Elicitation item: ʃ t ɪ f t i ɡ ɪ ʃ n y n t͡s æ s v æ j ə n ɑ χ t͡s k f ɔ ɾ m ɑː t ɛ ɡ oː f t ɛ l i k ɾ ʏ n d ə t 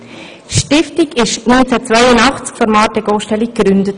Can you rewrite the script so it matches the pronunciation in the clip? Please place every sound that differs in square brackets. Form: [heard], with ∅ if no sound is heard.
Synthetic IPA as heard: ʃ t ɪ f t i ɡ ɪ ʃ n y n t͡s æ [t͡s] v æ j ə n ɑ χ t͡s k f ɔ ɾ m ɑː t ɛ ɡ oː [ʃ] t ɛ l i k ɾ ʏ n d ə t